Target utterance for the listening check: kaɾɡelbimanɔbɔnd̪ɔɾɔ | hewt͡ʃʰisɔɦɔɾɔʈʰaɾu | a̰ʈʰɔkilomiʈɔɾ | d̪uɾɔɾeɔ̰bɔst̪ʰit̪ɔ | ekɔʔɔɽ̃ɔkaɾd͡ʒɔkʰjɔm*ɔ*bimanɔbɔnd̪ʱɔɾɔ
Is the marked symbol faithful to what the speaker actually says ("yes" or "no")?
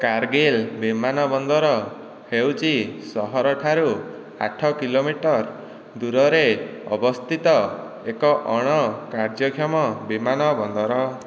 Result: yes